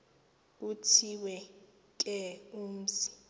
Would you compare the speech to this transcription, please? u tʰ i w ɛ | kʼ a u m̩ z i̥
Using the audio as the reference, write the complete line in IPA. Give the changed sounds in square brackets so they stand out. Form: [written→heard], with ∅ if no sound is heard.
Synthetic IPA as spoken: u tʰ i w ɛ | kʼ [a→ɛ] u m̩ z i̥

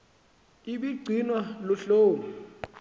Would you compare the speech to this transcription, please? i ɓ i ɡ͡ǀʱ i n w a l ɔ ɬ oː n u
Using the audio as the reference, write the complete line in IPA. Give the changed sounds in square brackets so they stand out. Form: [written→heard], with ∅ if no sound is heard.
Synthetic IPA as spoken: i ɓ i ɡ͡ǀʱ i n w a l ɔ ɬ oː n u

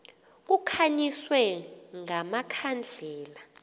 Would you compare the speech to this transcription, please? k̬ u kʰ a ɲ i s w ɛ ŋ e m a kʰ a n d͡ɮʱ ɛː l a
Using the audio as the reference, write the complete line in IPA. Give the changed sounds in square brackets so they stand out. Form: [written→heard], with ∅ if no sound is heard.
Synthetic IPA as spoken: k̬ u kʰ a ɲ i s w ɛ ŋ [e→a] m a kʰ a n d͡ɮʱ ɛː l a

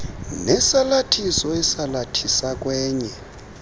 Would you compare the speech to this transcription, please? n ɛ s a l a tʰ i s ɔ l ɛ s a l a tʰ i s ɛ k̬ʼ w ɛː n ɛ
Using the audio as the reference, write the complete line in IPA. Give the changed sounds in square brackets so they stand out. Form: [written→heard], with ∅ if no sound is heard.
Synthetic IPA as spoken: n ɛ s a l a tʰ i s ɔ [l→∅] ɛ s a l a tʰ i s [ɛ→a] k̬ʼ w ɛː [n→ɲ] ɛ

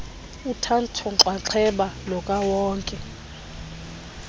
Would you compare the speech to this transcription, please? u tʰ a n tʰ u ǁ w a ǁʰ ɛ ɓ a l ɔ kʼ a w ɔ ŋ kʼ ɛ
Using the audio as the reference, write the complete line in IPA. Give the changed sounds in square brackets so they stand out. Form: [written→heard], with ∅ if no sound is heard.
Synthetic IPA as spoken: u tʰ a n tʰ [u→ɔ] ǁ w a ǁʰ ɛ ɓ a l ɔ kʼ a w [ɔ→ɔː] ŋ kʼ ɛ

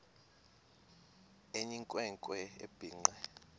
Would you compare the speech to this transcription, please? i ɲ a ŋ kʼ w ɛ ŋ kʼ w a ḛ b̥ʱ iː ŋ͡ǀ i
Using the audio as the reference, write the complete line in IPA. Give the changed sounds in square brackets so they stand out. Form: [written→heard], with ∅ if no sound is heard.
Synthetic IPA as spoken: [i→e] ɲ [a→i] ŋ kʼ w ɛ ŋ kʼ w [a→ɛ] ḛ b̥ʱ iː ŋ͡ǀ [i→ɛ]

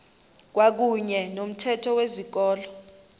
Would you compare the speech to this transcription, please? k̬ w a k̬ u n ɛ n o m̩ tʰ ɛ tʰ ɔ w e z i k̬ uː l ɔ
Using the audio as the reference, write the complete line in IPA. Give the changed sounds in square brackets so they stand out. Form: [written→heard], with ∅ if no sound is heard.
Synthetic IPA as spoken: k̬ w a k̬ u [n→ɲ] ɛ n o m̩ tʰ ɛ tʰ ɔ w e z i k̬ [uː→ɔː] l ɔ

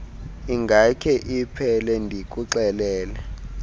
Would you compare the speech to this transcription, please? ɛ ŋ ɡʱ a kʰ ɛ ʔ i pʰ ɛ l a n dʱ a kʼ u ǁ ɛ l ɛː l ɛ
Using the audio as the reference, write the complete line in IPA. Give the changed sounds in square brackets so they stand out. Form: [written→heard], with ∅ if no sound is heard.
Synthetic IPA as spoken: [ɛ→i] ŋ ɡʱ a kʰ ɛ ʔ i pʰ ɛ l [a→ɛ] n dʱ [a→i] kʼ u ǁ ɛ l ɛː l ɛ

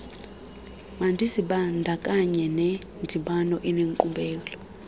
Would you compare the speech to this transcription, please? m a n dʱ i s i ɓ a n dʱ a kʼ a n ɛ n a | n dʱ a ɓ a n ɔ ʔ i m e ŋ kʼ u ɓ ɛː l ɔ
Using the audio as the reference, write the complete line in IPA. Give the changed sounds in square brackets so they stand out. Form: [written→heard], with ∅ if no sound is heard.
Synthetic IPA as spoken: m a n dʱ i s i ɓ a n dʱ a kʼ a [n→ɲ] ɛ n [a→ɛ] | n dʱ [a→i] ɓ a n ɔ ʔ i [m→n] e ŋ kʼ u ɓ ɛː l ɔ

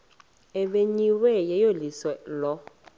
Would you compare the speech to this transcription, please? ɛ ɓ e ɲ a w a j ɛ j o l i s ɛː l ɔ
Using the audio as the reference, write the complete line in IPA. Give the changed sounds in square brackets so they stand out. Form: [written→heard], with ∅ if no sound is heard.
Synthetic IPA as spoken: ɛ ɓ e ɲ [a→i] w [a→ɛ] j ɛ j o l i s [ɛː→ɛ] l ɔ

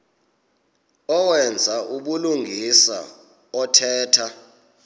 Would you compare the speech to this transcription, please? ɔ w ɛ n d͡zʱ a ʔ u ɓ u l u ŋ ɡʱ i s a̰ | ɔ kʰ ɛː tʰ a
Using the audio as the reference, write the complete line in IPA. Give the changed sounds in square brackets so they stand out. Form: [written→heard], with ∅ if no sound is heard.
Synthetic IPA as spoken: ɔ w ɛ n d͡zʱ a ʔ u ɓ u l u ŋ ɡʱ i s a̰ | ɔ [kʰ→tʰ] ɛː tʰ a

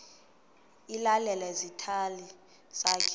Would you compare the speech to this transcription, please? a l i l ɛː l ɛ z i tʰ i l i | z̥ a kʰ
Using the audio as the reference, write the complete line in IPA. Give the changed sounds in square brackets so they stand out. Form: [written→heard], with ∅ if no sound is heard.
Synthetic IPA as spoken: [a→i] l [i→a] l [ɛː→ɛ] l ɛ z i tʰ [i→a] l i | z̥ a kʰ

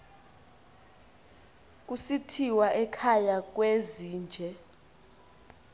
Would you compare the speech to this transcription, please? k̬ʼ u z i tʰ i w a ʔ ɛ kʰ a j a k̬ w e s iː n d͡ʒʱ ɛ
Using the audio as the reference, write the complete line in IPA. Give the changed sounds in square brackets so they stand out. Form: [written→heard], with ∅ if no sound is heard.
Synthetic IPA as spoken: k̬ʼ u [z→s] i tʰ i w a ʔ ɛ kʰ a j a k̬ w e [s→z] iː n d͡ʒʱ ɛ

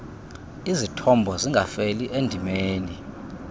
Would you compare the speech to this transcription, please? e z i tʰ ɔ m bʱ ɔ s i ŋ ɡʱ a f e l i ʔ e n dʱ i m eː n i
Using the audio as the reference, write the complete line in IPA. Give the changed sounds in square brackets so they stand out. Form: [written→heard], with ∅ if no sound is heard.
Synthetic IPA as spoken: [e→i] z i tʰ ɔ m bʱ ɔ [s→z] i ŋ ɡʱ a f e l i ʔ e n dʱ i m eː n i

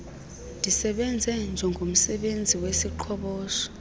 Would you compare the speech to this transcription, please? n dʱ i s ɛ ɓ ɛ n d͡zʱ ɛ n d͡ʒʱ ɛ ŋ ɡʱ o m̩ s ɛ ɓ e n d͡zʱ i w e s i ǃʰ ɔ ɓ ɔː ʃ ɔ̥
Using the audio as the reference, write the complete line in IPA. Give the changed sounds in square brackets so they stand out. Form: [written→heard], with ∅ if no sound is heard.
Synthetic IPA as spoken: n dʱ i s ɛ ɓ ɛ n d͡zʱ ɛ n d͡ʒʱ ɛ ŋ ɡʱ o m̩ s ɛ ɓ e n d͡zʱ i w e s i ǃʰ ɔ ɓ ɔː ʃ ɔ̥

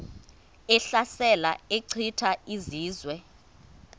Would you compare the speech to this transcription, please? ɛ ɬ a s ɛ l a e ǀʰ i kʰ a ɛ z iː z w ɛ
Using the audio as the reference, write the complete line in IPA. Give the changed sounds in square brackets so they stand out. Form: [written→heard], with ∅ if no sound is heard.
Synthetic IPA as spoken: ɛ ɬ a s ɛ l a e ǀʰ i [kʰ→tʰ] a [ɛ→i] z iː z w ɛ

